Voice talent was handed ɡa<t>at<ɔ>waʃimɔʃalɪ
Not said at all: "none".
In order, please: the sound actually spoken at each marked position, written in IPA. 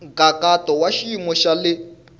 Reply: k, ɔ

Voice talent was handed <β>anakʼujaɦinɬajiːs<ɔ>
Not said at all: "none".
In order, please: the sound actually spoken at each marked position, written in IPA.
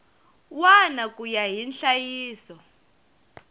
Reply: w, ɔ

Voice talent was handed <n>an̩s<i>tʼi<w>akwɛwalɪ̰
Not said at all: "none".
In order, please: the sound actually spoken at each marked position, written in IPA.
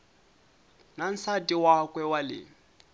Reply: n, a, w

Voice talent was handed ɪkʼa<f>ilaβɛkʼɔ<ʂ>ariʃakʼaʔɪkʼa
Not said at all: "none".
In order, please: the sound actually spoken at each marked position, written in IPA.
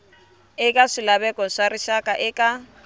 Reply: ʂ, ʂ

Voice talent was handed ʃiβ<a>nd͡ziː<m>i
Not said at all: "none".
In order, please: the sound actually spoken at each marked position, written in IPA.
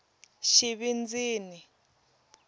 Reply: i, n

